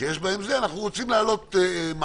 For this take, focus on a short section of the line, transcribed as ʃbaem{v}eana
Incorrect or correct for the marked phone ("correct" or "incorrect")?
incorrect